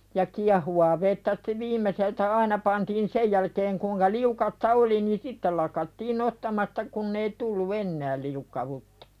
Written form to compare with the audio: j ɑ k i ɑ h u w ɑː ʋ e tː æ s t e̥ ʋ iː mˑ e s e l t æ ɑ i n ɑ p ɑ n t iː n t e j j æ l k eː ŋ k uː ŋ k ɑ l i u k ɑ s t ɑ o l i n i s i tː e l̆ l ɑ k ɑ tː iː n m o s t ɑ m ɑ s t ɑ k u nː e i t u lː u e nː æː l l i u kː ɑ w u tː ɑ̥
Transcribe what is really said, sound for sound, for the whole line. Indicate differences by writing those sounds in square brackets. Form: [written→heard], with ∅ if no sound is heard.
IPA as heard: j ɑ k i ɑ h u w ɑː ʋ e tː æ s t e̥ ʋ iː mˑ e s e l t æ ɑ i n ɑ p ɑ n t iː n [t→s] e j j æ l k eː ŋ k uː ŋ k ɑ l i u k ɑ s t ɑ o l i n i s i tː e l̆ l ɑ k ɑ tː iː n [m→n] o s t ɑ m ɑ s t ɑ k u nː e i t u lː u e nː æː l l i u kː ɑ w u tː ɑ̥

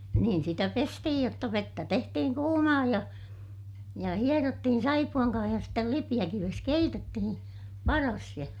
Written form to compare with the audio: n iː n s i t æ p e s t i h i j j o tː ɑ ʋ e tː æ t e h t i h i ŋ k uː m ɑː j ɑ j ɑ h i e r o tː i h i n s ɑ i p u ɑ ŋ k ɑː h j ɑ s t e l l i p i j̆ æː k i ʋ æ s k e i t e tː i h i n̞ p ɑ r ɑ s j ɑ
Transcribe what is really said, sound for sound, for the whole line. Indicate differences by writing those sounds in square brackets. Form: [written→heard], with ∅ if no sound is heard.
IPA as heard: n iː n s i t æ p e s t i h i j j o tː ɑ ʋ e tː æ t e h t i h i ŋ k uː m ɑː j ɑ j ɑ h i e r o tː i h i n s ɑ i p u ɑ ŋ k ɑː h j ɑ s t e l l i p i j̆ [æː→æ] k i ʋ [æ→e] s k e i t e tː i h i n̞ p ɑ r ɑ s j ɑ

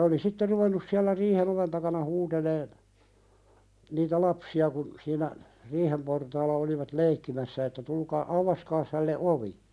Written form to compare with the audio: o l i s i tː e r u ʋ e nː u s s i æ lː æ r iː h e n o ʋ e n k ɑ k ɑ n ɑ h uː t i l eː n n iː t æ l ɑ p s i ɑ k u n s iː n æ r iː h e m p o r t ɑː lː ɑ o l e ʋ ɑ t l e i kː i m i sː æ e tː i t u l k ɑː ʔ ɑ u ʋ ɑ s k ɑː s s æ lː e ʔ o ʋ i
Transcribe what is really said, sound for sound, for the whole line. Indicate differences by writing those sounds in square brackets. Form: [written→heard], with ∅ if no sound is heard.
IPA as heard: o l i s i tː e r u ʋ e nː u s s i æ lː æ r iː h e n o ʋ e n [k→t] ɑ k ɑ n ɑ h uː t [i→e] l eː n n iː t æ l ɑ p s i ɑ k u n s iː n æ r iː h e m p o r t ɑː lː ɑ o l [e→i] ʋ ɑ t l e i kː i m [i→æ] sː æ e tː [i→æ] t u l k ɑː ʔ ɑ u ʋ ɑ s k ɑː s [s→h] æ lː e ʔ o ʋ i

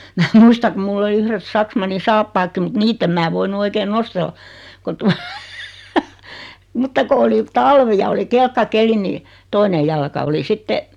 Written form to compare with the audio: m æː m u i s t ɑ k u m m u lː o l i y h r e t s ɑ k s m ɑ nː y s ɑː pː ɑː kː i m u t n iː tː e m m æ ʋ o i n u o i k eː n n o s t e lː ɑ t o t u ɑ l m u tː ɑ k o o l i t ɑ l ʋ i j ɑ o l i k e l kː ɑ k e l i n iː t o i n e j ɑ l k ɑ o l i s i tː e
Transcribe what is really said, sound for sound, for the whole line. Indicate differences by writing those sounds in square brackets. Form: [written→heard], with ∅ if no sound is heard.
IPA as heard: m æː m u i s t ɑ k u m m u lː o l i y h r e t s ɑ k s m ɑ nː [y→i] s ɑː pː ɑː kː i m u t n iː tː e m m [æ→æː] ʋ o i n u o i k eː n n o s t e lː ɑ [t→k] o t u ɑ [l→∅] m u tː ɑ k o o l i t ɑ l ʋ i j ɑ o l i k e l kː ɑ k e l i n iː t o i n e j ɑ l k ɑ o l i s i tː e

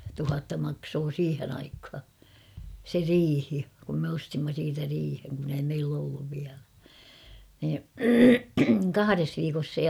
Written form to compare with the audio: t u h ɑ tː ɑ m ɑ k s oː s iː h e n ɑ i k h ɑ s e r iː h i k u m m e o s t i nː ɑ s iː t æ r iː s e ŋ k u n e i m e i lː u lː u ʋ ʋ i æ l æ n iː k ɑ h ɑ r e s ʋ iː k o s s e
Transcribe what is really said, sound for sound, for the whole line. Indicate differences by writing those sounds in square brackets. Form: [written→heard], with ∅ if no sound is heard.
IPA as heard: t u h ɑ tː ɑ m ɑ k s oː s iː h e n ɑ i k h ɑ s e r iː h i k u m m e o s t i [nː→mː] ɑ s iː t æ r iː [s→h] e ŋ k u n e i m e i lː [u→o] lː u ʋ ʋ i æ l æ n iː k ɑ h ɑ r e s ʋ iː k o s s e

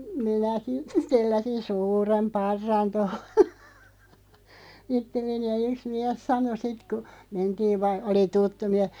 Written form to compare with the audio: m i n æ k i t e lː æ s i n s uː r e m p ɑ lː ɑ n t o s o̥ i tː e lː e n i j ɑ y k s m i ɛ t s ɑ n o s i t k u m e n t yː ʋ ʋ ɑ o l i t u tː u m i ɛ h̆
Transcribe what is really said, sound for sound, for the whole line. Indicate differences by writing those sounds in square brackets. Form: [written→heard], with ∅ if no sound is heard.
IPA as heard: m i n æ k i t e lː æ s i n s uː r e m p ɑ [lː→rː] ɑ n t o [s→h] o̥ i tː e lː e n i j ɑ y k s m i ɛ [t→s] s ɑ n o s i t k u m e n t [yː→iː] ʋ ʋ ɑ o l i t u tː u m i ɛ h̆

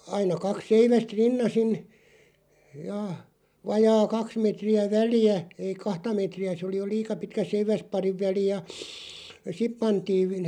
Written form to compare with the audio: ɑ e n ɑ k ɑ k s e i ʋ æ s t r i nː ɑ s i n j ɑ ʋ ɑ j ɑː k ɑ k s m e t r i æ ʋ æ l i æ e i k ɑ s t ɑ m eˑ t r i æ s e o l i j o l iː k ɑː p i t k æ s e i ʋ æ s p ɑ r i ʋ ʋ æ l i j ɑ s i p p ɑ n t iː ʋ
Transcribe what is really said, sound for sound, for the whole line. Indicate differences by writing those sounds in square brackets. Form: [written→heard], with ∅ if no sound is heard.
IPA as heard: ɑ [e→i] n ɑ k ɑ k s e i ʋ æ s t r i nː ɑ s i n j ɑ ʋ ɑ j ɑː k ɑ k s m e t r i æ ʋ æ l i æ e i k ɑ [s→h] t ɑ m eˑ t r i æ s e o l i j o l iː k [ɑː→ɑ] p i t k æ s e i ʋ æ s p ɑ r i ʋ ʋ æ l i j ɑ s i p p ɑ n t iː ʋ

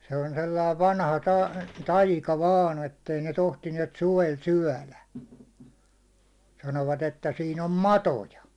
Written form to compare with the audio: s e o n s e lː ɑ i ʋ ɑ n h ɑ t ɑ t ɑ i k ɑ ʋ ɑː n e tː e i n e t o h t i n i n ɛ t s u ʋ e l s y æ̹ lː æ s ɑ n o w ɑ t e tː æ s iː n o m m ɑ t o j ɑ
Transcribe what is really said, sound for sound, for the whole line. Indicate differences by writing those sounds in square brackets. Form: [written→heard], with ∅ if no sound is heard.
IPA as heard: s e o n s e lː ɑ i ʋ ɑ n h ɑ t ɑ t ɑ i k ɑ ʋ ɑː n e tː e i n e t o h t i n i [n→∅] ɛ t s u ʋ e l s y æ̹ [lː→l] æ s ɑ n o [w→ʋ] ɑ t e tː æ s iː n o m m ɑ t o j ɑ

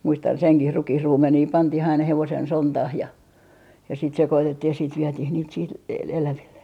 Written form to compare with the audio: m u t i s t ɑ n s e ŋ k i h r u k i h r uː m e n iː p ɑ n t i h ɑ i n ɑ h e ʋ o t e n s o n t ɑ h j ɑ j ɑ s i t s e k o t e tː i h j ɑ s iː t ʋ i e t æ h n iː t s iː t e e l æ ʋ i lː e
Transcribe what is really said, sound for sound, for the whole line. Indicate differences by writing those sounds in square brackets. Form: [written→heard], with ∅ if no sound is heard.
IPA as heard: m u [t→∅] i s t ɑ n s e ŋ k i h r u k i h r uː m e n iː p ɑ n t i h ɑ i n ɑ h e ʋ o [t→s] e n s o n t ɑ h j ɑ j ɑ s i t s e k o t e tː i h j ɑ s iː t ʋ i e t [æ→i] h n iː t s iː t e e l æ ʋ i lː e

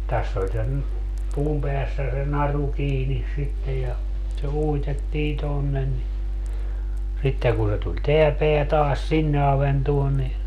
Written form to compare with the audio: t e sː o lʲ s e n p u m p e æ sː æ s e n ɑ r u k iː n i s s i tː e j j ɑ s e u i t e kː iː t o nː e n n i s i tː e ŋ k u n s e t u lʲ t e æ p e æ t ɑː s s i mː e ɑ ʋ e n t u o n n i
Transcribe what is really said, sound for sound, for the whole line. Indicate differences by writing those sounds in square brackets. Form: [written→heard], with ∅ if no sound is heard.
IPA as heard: t [e→æ] sː o lʲ s e n p [u→uː] m p e æ sː æ s e n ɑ r u k iː n i s s i tː e j j ɑ s e u i t e [kː→tː] iː t o nː e n n i s i tː e ŋ k u n s e t u lʲ t e æ p e æ t ɑː s s i [mː→nː] e ɑ ʋ e n t u o n n i

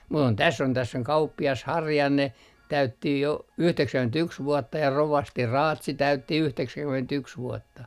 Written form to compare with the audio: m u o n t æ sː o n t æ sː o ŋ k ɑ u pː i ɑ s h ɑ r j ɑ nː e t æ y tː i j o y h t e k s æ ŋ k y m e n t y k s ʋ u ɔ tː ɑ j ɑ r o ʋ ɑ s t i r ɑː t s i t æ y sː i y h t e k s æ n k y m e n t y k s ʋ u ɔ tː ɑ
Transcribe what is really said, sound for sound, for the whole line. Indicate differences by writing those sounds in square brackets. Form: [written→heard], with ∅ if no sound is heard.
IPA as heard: m u o n t æ sː o n t æ sː o ŋ k ɑ u pː i ɑ s h ɑ r j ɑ nː e t æ y tː i j o y h t e k s æ ŋ k y m e n t y k s ʋ u ɔ tː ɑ j ɑ r o ʋ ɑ s t i r ɑː t s i t æ y [sː→tː] i y h t e k s æ [n→ŋ] k y m e n t y k s ʋ u ɔ tː ɑ

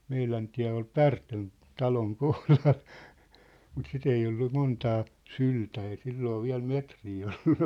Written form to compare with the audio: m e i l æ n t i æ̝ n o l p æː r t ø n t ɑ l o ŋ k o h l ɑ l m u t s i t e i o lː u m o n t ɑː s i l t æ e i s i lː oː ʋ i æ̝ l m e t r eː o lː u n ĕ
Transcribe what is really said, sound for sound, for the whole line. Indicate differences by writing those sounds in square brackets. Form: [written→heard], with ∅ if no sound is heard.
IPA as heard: m e i l æ n t i æ̝ [n→∅] o l p [æː→æ] r t ø n t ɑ l o ŋ k o h l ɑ l m u t s i t e i o lː u m o n t ɑː s [i→y] l t æ e i s i lː oː ʋ i æ̝ l m e t r [eː→iː] o lː u n ĕ

